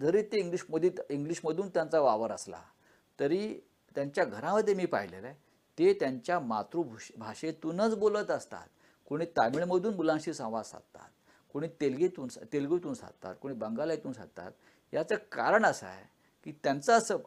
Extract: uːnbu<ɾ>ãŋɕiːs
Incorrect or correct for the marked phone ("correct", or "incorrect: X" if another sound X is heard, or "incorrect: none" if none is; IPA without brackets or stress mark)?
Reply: incorrect: l